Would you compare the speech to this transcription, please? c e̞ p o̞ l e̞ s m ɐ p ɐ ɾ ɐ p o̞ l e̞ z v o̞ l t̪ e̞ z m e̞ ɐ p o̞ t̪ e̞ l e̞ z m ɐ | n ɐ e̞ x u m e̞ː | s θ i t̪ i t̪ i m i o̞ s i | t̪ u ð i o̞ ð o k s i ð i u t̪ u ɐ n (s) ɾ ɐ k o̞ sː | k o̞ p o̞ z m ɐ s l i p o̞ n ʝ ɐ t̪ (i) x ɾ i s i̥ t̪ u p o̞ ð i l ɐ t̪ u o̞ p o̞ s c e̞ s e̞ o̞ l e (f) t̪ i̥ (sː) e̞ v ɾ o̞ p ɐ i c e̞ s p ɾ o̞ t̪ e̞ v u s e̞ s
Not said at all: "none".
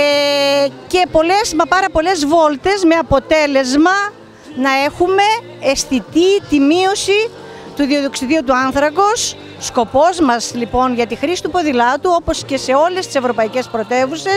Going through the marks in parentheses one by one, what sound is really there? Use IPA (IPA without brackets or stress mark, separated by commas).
θ, i, s, s